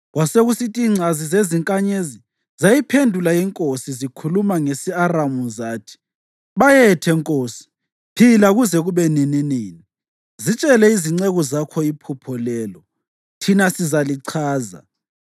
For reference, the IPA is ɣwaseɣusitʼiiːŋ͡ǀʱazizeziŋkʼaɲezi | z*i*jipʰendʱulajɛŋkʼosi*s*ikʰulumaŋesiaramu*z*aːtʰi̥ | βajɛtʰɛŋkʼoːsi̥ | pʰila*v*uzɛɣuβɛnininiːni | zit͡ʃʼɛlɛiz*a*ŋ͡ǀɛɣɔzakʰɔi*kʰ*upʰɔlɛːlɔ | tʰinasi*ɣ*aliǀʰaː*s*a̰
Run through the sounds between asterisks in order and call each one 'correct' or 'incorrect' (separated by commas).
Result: incorrect, incorrect, correct, incorrect, incorrect, incorrect, incorrect, incorrect